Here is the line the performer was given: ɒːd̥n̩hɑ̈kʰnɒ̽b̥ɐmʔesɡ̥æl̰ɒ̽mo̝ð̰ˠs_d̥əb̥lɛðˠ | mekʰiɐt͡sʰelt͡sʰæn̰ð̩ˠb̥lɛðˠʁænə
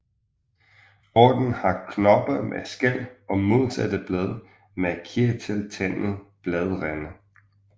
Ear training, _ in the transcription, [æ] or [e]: æ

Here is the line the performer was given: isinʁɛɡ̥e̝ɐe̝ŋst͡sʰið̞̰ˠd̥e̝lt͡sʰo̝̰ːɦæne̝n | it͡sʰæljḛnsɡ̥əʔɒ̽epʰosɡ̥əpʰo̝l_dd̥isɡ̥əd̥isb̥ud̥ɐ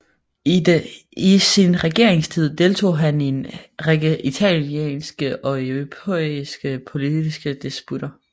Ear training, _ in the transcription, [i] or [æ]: i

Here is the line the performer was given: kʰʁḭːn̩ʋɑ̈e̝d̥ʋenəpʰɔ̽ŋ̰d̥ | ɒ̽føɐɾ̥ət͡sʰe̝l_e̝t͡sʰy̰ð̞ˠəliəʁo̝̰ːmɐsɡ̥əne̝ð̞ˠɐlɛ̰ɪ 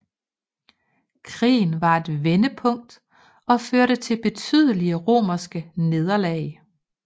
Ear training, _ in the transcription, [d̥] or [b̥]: b̥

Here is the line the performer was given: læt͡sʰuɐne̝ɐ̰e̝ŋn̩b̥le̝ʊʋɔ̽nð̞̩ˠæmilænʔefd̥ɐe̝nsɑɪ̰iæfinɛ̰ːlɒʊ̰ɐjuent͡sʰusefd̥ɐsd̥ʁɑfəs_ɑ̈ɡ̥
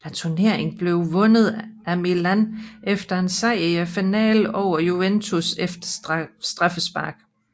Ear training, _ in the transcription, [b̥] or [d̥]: b̥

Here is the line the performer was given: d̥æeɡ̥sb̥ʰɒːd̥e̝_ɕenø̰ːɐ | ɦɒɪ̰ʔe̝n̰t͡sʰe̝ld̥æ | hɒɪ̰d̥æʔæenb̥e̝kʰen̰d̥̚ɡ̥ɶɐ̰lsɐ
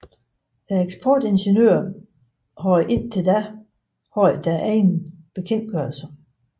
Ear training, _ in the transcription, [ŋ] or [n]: n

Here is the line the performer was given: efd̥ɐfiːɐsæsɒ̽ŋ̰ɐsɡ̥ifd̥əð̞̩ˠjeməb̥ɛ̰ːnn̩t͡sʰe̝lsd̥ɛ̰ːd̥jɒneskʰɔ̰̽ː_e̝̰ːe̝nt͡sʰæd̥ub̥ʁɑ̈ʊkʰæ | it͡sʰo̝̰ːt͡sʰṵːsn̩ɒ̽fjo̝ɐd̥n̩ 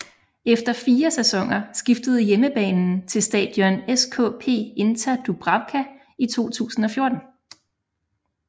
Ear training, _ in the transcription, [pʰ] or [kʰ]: pʰ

